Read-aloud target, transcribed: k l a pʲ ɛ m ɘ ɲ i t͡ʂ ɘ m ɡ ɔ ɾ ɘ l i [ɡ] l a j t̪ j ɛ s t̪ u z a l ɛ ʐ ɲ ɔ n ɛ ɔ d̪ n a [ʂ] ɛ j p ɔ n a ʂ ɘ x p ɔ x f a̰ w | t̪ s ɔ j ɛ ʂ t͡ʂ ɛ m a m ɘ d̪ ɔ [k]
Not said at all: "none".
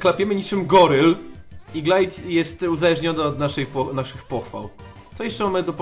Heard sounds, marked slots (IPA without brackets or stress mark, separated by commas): ɡ, ʂ, p